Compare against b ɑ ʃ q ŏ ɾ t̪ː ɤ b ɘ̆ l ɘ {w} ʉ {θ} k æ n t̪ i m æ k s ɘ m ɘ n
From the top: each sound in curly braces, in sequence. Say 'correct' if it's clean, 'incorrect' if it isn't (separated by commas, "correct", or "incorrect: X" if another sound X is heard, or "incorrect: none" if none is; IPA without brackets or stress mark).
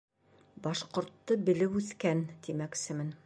correct, correct